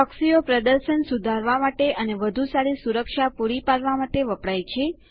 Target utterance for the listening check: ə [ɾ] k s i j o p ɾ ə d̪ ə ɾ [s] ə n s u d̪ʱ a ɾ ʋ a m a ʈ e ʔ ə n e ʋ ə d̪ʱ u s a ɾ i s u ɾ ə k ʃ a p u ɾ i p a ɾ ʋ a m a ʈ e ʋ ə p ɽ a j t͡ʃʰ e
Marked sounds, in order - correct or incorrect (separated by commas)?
incorrect, incorrect